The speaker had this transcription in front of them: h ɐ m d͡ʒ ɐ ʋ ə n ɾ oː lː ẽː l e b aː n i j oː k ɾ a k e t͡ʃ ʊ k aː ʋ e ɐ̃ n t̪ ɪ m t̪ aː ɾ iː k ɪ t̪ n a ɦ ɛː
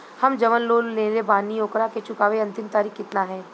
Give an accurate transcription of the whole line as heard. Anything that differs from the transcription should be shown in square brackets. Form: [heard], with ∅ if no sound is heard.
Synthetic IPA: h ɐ m d͡ʒ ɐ ʋ ə n [l] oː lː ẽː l e b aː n i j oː k ɾ a k e t͡ʃ ʊ k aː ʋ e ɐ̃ n t̪ ɪ m t̪ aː ɾ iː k ɪ t̪ n a ɦ ɛː